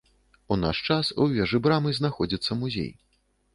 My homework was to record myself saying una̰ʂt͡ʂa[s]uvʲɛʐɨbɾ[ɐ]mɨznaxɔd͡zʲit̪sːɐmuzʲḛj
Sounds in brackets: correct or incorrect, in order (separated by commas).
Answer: correct, incorrect